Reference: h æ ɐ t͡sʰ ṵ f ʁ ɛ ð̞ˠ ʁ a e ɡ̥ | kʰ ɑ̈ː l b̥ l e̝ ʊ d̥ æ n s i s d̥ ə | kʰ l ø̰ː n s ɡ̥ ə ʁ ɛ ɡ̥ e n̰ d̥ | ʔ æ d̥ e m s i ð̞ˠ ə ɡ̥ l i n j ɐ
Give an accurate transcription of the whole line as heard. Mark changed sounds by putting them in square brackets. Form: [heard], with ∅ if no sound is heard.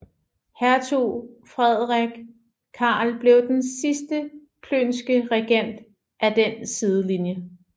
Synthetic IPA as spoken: h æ ɐ t͡sʰ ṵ f ʁ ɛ ð̞ˠ ʁ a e ɡ̥ | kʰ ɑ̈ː l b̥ l e̝ ʊ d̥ [e] n s i s d̥ ə | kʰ l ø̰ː n s ɡ̥ ə ʁ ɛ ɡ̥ e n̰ d̥ | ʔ æ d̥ e [n] s i ð̞ˠ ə [∅] l i n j [ə]

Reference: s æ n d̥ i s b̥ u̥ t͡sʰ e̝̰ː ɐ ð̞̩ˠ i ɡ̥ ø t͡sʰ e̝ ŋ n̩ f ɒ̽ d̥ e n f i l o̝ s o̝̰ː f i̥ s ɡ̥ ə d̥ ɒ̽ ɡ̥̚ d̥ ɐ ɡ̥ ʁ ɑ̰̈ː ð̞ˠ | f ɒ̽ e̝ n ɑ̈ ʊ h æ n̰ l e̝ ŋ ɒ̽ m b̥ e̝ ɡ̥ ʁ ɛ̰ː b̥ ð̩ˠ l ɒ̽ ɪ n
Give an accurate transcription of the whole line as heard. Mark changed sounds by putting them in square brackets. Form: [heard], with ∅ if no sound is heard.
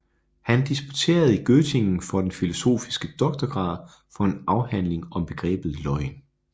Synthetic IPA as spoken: [h] æ n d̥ i s b̥ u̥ t͡sʰ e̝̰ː ɐ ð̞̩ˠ i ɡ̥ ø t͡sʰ e̝ ŋ n̩ f ɒ̽ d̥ e n f i l o̝ s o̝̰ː f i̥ s ɡ̥ ə d̥ ɒ̽ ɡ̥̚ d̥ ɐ ɡ̥ ʁ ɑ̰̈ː ð̞ˠ | f ɒ̽ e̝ n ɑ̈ ʊ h æ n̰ l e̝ ŋ ɒ̽ m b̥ e̝ ɡ̥ ʁ ɛ̰ː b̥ ð̩ˠ l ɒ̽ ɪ n

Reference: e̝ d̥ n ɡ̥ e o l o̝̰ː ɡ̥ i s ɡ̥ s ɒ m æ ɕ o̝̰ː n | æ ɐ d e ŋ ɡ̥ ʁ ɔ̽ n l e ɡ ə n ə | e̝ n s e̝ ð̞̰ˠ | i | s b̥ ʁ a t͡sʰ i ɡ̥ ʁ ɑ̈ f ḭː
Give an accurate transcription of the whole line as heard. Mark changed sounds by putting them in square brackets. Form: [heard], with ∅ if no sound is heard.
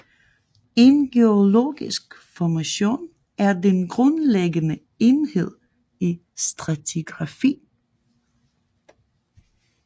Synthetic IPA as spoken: e̝ [∅] n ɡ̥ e o l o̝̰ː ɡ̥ i s ɡ̥ [f] ɒ m æ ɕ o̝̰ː n | æ ɐ d e [n] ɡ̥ ʁ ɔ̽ n l e ɡ ə n ə | e̝ n [h] e̝ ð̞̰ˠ | i | s [d̥] ʁ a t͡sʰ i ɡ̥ ʁ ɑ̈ f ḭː

